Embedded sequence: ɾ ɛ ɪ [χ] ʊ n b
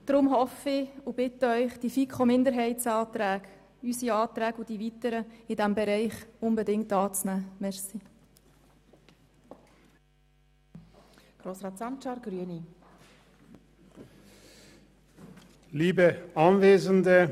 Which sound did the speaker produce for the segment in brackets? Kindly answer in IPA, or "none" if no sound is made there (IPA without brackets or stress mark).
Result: χ